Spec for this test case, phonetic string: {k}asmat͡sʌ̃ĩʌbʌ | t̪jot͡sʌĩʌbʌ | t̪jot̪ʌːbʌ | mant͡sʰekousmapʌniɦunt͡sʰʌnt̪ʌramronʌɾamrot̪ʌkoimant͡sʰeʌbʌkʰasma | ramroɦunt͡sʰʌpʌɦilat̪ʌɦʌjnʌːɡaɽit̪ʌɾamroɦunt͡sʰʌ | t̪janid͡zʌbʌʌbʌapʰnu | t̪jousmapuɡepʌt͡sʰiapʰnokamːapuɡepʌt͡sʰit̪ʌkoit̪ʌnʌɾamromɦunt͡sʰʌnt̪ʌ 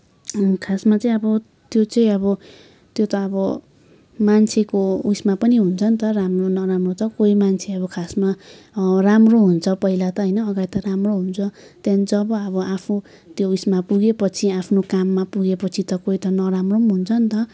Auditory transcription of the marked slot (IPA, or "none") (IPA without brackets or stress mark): kʰ